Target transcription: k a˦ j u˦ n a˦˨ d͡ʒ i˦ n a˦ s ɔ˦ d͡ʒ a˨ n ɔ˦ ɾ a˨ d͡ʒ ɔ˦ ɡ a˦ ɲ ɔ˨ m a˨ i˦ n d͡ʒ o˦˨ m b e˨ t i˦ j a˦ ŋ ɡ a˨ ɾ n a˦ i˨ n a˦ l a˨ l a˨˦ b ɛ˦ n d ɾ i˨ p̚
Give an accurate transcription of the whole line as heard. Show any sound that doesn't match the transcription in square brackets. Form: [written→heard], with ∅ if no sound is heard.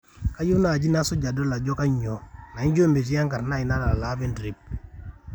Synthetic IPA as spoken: k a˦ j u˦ n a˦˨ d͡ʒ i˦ n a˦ s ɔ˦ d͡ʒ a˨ [n→d] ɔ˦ [ɾ→l] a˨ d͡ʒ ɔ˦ [ɡ→k] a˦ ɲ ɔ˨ [m→n] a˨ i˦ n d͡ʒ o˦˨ m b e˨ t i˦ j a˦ ŋ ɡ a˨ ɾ n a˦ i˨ n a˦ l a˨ l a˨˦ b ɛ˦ n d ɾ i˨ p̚